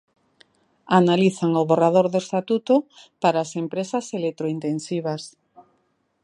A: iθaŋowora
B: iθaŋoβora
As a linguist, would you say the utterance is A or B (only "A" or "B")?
B